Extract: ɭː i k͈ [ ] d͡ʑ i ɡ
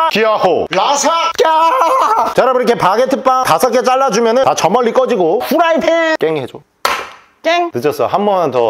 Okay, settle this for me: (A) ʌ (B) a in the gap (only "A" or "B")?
A